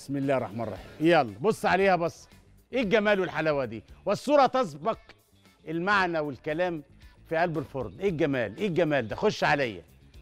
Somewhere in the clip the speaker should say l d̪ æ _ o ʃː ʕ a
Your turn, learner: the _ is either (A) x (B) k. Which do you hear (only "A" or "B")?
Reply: A